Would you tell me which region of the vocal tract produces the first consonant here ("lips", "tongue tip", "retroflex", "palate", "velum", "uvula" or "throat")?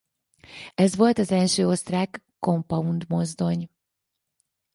tongue tip